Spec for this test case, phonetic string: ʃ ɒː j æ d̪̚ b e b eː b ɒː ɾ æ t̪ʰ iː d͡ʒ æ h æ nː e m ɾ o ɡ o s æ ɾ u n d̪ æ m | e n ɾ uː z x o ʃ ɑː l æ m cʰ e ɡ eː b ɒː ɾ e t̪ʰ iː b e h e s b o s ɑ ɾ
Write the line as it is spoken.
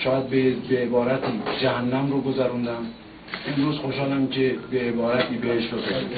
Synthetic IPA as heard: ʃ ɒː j æ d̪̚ b e b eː b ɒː ɾ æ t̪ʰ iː d͡ʒ æ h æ nː æ m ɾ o ɡ o z æ ɾ u n d̪ æ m | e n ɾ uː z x o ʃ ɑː l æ m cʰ e b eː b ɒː ɾ æ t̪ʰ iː b e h e ʃ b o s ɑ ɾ